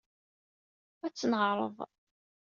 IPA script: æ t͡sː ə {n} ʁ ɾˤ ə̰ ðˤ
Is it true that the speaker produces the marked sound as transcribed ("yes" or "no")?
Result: yes